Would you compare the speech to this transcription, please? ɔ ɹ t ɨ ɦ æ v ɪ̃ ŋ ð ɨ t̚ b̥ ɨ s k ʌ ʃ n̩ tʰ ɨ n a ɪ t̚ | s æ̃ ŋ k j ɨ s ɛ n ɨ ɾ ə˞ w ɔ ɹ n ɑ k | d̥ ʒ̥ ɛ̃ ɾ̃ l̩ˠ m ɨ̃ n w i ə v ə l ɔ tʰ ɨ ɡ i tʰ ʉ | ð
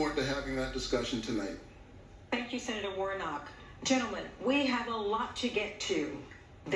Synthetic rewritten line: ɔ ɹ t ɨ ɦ æ v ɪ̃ ŋ ð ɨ t̚ d̥ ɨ s k ʌ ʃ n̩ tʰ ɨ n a ɪ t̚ | θ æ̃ ŋ k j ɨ s ɛ n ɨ ɾ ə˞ w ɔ ɹ n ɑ k | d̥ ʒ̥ ɛ̃ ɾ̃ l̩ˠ m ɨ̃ n w i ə v ə l ɔ tʰ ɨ ɡ ɛ tʰ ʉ | ð